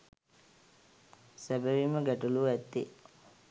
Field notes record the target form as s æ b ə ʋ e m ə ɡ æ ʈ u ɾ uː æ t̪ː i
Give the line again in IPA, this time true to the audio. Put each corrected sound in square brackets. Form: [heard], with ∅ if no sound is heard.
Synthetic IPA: s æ b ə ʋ [i] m ə ɡ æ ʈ u [l] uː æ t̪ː i